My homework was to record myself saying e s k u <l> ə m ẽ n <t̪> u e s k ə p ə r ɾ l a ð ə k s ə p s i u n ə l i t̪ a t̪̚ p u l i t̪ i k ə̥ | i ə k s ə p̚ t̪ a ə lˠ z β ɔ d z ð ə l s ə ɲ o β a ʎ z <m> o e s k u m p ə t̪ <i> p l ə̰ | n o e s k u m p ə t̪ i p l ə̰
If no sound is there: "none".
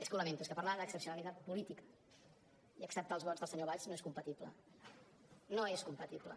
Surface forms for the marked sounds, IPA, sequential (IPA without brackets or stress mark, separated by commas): l, t̪, n, i